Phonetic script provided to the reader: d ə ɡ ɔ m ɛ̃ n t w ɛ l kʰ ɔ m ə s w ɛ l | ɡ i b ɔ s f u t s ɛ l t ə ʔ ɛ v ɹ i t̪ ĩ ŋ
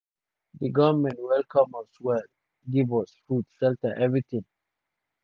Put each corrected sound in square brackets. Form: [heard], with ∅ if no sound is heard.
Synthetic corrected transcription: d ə ɡ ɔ m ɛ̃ n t w ɛ l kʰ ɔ m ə s w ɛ l | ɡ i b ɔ s f u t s ɛ l t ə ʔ ɛ v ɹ i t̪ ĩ ŋ